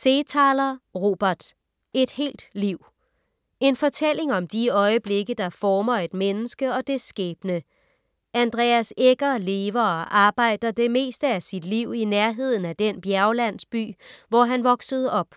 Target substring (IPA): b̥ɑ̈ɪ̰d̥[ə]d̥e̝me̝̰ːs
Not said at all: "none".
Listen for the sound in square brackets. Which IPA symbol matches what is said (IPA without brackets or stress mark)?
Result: ɐ